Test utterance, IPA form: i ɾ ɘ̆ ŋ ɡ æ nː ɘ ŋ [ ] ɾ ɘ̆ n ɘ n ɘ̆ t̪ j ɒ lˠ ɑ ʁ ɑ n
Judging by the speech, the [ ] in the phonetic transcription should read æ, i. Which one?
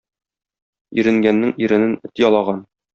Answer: i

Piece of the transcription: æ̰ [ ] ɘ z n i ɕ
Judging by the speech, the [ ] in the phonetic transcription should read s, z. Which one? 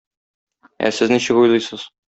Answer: s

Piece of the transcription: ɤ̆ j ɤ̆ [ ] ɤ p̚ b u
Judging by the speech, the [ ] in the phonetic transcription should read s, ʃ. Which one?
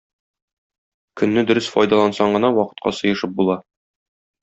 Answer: ʃ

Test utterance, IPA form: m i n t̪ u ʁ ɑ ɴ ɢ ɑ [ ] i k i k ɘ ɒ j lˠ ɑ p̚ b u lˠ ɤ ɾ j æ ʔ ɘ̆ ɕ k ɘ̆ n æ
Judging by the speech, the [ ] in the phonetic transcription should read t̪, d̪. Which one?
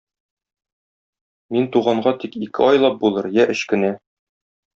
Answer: t̪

